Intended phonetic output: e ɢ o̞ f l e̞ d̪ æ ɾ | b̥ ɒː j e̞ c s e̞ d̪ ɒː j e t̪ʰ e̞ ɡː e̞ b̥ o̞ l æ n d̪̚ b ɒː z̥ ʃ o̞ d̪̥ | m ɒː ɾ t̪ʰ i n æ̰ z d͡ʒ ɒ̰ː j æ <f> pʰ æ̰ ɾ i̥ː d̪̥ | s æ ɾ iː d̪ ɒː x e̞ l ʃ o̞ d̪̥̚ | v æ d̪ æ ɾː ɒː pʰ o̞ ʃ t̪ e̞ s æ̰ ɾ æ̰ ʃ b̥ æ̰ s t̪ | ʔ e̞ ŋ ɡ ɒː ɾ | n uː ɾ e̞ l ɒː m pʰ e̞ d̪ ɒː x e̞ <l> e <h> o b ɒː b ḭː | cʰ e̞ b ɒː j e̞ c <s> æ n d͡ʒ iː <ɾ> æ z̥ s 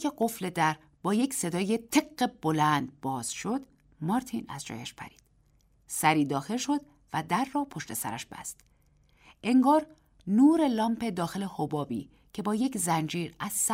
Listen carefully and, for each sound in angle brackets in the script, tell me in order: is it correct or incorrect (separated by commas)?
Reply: incorrect, correct, correct, incorrect, correct